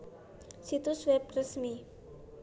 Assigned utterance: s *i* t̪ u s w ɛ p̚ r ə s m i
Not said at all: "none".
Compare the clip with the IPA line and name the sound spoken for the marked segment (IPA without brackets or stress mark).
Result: i